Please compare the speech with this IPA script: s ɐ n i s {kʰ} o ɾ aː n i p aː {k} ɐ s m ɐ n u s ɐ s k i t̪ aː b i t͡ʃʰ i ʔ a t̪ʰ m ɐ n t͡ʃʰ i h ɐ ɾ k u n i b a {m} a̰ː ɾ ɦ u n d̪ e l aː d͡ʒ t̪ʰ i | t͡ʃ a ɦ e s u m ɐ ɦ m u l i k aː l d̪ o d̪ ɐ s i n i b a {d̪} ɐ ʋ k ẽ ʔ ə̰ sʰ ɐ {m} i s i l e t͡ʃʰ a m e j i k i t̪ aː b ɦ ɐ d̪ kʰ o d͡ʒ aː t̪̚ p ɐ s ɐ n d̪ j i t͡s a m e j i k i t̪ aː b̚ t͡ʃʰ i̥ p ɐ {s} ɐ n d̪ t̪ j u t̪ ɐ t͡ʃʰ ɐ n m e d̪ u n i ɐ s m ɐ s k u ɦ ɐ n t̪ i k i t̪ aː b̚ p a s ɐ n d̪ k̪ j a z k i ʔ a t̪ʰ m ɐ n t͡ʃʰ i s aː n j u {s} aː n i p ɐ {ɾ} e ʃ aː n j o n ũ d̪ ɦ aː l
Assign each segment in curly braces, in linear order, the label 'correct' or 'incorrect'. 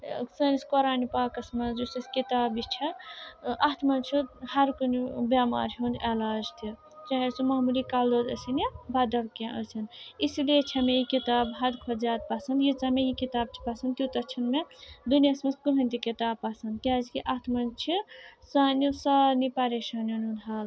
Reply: incorrect: k, correct, correct, correct, incorrect: n, correct, correct, correct

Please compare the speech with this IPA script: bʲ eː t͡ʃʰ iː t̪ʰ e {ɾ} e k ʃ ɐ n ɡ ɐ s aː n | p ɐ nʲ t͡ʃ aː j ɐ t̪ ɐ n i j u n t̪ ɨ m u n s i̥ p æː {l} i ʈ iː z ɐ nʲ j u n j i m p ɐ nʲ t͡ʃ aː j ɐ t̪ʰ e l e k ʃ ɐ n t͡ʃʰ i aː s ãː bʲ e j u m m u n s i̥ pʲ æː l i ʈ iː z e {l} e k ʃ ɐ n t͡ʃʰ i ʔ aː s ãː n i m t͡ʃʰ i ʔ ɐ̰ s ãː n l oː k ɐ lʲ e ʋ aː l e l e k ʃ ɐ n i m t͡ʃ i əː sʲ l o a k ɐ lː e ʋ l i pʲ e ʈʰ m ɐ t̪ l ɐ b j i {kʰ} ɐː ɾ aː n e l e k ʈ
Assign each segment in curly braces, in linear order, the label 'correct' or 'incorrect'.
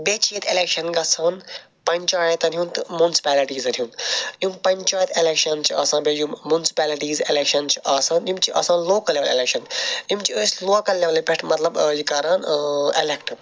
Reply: incorrect: l, correct, correct, incorrect: k

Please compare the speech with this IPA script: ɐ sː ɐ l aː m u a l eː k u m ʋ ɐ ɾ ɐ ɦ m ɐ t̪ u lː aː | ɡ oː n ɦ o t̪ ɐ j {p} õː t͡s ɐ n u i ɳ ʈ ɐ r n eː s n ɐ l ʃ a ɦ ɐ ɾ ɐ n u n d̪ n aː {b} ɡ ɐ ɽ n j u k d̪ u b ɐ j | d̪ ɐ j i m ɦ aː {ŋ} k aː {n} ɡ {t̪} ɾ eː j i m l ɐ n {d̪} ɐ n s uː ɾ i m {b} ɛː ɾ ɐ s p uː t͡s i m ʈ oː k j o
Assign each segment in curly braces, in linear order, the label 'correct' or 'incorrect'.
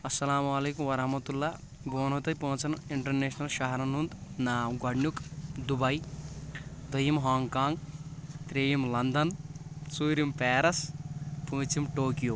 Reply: correct, incorrect: m, correct, incorrect: ŋ, correct, correct, incorrect: p

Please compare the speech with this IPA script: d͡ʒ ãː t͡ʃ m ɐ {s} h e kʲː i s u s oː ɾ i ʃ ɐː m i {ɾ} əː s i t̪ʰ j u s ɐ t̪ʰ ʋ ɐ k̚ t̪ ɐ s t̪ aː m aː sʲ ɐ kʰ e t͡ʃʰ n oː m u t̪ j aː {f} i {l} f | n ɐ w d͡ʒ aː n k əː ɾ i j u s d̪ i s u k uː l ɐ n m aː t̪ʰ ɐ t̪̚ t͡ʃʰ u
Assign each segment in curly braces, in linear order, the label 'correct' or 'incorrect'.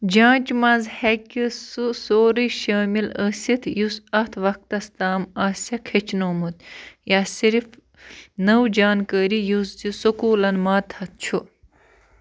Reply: incorrect: z, incorrect: l, incorrect: s, incorrect: ɾ

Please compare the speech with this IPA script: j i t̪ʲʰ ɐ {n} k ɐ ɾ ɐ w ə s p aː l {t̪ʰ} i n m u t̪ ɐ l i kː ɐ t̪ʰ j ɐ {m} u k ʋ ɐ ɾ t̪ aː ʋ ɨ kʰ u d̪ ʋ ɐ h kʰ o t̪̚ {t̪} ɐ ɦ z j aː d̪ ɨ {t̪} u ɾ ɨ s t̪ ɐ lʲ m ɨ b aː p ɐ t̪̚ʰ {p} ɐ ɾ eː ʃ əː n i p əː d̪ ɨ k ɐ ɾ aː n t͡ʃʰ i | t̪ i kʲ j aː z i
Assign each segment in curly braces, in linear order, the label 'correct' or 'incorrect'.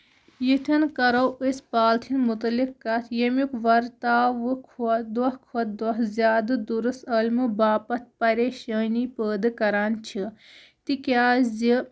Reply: correct, correct, correct, incorrect: d̪, incorrect: d̪, correct

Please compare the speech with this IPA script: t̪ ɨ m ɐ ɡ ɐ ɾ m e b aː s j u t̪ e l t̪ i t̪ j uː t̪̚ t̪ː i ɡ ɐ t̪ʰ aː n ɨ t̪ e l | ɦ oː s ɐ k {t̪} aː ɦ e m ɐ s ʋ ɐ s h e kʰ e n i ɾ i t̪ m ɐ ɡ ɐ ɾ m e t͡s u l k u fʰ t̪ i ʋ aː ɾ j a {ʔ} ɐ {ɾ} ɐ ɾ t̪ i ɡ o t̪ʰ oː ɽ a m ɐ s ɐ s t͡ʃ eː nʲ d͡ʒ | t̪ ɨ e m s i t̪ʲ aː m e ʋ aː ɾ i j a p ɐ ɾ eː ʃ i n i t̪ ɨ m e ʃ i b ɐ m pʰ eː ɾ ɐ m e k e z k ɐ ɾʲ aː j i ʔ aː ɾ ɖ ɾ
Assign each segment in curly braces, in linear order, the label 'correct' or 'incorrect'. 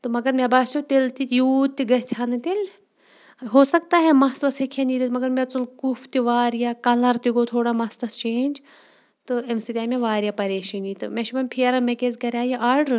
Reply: correct, incorrect: k, incorrect: l

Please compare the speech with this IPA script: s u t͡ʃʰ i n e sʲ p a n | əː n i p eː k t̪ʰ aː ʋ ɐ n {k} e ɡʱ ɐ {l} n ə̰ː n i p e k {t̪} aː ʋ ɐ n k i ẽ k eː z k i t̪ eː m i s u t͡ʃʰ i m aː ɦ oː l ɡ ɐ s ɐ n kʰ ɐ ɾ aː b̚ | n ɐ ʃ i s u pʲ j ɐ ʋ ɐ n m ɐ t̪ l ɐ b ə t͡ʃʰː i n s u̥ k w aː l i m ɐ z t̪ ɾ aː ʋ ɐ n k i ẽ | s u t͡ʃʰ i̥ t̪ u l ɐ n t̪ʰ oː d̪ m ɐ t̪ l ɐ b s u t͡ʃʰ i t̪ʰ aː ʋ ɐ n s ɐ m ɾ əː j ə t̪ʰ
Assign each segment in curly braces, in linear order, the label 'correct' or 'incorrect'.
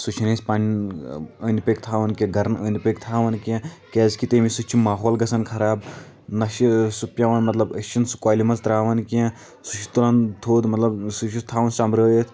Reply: correct, incorrect: ɾ, incorrect: t̪ʰ

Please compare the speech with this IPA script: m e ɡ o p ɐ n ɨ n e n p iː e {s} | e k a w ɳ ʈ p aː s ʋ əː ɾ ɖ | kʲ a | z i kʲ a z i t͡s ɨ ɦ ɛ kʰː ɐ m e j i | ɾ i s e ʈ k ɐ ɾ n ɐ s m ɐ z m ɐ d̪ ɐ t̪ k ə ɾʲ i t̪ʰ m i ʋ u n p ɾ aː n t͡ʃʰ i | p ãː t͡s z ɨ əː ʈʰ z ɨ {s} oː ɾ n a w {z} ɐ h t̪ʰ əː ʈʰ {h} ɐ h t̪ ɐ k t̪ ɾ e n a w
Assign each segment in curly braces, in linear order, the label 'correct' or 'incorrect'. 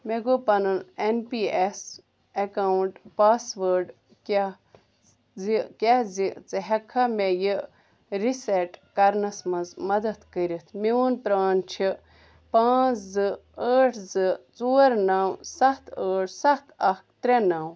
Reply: correct, incorrect: t͡s, incorrect: s, incorrect: s

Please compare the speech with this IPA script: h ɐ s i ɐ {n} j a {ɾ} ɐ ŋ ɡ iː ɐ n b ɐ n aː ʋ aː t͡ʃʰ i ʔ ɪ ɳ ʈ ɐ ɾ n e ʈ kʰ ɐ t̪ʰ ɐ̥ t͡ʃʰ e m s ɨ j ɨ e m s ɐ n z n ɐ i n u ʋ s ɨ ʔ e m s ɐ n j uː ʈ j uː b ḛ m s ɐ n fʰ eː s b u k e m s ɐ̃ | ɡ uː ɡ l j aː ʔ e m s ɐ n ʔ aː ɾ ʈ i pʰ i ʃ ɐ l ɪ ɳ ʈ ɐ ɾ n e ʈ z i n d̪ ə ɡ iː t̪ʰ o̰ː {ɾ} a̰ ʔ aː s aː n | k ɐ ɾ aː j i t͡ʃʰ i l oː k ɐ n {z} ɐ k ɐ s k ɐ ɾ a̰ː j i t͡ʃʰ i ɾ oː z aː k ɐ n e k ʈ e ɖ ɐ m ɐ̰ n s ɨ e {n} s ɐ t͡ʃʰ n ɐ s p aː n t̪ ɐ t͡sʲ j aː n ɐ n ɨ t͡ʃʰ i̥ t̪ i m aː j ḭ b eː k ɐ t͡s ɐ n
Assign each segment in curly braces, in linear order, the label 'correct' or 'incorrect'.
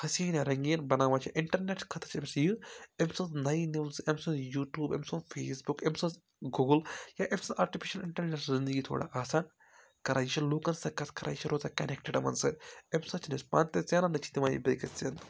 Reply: correct, correct, incorrect: ɽ, incorrect: s, incorrect: m

